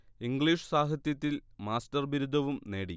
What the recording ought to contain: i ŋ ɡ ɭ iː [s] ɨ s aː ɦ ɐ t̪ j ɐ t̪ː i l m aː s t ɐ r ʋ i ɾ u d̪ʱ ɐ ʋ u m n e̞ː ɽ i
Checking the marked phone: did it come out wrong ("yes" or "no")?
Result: yes